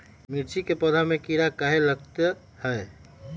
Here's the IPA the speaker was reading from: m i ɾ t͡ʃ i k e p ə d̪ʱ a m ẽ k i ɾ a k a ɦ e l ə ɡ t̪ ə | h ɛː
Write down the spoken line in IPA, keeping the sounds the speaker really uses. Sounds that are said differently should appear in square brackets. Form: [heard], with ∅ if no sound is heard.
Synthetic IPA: m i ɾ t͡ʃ i k e p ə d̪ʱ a m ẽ k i ɾ a k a ɦ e l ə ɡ t̪ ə | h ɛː